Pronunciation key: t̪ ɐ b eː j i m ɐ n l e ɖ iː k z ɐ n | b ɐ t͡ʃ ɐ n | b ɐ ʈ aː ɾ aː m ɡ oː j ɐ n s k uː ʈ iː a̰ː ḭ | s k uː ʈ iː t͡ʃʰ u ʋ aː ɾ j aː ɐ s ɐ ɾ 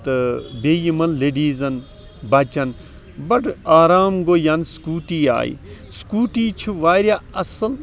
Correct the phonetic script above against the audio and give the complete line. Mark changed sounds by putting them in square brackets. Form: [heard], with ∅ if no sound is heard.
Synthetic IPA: t̪ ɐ b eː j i m ɐ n l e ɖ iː [∅] z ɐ n | b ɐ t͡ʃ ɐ n | b ɐ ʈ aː ɾ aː m ɡ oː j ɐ n s k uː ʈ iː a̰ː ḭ | s k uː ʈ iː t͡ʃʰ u ʋ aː ɾ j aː ɐ s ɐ [l]